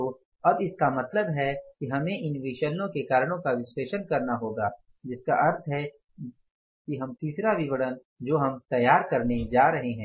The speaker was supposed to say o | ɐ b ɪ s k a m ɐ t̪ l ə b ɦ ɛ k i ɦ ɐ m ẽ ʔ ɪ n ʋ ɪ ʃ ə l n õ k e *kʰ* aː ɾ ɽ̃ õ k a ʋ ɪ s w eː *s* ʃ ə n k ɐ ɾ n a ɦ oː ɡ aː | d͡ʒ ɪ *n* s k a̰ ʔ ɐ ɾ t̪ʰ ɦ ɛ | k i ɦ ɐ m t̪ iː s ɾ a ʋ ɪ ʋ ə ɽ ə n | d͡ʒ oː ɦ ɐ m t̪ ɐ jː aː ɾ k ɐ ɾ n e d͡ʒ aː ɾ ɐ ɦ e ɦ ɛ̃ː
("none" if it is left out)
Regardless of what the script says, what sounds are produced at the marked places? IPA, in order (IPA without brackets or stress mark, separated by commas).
k, none, none